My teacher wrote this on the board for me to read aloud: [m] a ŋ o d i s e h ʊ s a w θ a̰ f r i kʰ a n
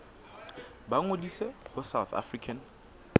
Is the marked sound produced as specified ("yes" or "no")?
no